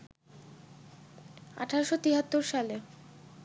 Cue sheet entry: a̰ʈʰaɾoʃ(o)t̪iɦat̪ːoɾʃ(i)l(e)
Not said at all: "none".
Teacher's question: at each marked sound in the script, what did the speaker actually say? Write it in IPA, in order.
o, a, e

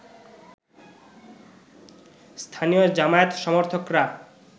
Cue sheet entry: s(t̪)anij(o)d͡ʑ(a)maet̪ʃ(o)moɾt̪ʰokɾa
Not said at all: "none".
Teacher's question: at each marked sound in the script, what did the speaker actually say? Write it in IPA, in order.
t̪ʰ, o, a, ɔ

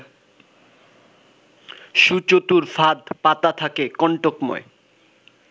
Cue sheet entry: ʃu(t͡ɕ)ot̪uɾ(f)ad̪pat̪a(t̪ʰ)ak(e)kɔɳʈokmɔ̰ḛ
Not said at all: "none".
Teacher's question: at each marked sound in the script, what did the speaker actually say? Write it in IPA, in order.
t͡ɕ, f, t̪ʰ, e

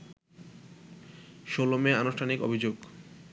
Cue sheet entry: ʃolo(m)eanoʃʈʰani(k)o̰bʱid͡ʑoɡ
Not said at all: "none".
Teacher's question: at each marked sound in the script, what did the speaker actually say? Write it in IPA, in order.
m, k

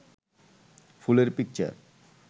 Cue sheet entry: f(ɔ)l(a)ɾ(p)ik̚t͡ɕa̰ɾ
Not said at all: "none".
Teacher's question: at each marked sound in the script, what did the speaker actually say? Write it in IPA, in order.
u, e, p

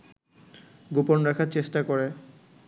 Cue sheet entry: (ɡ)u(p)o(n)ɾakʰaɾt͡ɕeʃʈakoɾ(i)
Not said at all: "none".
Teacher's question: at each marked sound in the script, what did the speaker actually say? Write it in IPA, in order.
ɡ, p, n, e

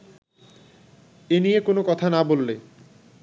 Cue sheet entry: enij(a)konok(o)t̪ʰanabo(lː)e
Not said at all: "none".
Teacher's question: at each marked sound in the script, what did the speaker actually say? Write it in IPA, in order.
e, ɔ, lː

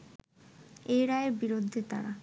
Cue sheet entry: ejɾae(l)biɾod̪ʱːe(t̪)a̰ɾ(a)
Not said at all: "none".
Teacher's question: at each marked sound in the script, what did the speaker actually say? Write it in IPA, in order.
ɾ, t̪, a

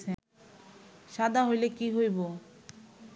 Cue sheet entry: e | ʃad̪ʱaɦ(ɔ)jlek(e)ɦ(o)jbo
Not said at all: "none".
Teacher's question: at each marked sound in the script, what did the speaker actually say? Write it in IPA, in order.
o, i, o

